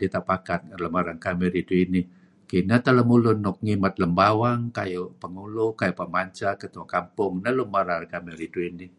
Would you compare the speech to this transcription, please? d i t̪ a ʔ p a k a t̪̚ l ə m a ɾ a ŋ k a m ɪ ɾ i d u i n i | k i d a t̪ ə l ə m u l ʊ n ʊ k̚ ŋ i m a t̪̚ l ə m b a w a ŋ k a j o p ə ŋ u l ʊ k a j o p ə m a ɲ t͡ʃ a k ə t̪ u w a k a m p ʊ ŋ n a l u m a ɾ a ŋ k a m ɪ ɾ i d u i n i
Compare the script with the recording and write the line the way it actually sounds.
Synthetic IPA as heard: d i t̪ a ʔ p a k a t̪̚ l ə m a ɾ a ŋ k a m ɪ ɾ i d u i n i | k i n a t̪ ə l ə m u l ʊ n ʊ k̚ ŋ i m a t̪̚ l ə m b a w a ŋ k a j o p ə ŋ u l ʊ k a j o p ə m a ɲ t͡ʃ a k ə t̪ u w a k a m p ʊ ŋ n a l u m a ɾ a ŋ k a m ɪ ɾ i d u i n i